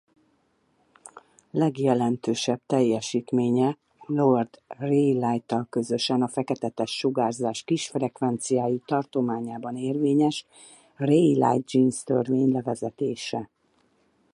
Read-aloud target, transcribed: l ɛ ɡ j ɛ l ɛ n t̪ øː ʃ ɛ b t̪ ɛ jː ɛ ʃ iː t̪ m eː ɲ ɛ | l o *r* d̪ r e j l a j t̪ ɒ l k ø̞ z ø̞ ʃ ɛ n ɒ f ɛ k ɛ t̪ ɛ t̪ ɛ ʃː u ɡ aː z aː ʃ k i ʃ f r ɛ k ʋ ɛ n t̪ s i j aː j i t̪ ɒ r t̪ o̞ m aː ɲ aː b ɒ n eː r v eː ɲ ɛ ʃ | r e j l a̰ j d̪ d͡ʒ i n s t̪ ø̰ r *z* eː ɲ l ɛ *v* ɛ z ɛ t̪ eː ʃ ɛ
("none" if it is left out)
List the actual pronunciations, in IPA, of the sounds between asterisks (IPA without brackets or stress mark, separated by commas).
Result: r, v, v